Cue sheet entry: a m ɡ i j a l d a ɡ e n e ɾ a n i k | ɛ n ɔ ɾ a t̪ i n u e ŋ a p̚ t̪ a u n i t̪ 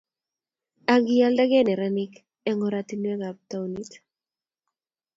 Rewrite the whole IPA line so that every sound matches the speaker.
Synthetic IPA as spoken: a ŋ ɡ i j a l d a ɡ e n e ɾ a n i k | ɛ ŋ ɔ ɾ a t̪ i n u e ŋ a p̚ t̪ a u n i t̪